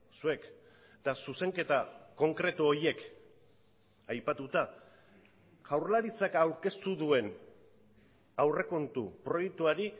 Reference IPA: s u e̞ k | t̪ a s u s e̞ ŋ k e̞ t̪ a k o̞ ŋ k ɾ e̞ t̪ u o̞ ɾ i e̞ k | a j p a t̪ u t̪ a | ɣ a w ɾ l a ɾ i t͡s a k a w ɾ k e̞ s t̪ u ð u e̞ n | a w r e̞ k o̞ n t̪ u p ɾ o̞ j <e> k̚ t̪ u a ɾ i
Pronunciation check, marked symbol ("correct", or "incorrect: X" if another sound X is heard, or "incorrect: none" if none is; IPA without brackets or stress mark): correct